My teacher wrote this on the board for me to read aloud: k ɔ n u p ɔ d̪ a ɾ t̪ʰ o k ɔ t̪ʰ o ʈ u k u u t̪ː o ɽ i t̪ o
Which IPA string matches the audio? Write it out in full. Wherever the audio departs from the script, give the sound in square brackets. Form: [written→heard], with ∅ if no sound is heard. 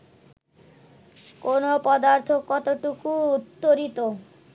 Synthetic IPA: k [ɔ→o] n [u→o] p ɔ d̪ a ɾ t̪ʰ o k ɔ [t̪ʰ→t̪] o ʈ u k u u t̪ː o [ɽ→ɾ] i t̪ o